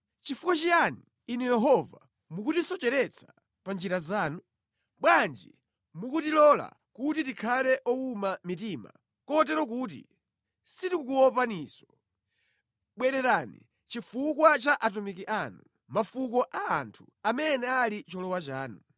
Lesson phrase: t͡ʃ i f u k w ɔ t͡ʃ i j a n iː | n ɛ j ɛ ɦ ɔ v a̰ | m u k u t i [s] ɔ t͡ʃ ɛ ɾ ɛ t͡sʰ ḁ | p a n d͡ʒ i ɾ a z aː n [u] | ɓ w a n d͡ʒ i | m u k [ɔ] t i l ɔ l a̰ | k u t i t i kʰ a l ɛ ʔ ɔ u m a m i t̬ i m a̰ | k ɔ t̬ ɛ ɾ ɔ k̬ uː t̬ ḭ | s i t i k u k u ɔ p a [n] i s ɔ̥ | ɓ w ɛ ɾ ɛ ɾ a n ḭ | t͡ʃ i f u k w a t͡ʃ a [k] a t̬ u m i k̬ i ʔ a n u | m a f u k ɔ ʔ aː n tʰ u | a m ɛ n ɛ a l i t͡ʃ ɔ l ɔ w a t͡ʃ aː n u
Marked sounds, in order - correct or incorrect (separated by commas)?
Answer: correct, correct, incorrect, correct, incorrect